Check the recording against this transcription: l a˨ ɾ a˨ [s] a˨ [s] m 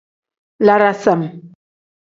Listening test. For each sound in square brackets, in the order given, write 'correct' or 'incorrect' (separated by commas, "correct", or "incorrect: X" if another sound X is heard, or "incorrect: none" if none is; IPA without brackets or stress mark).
correct, incorrect: none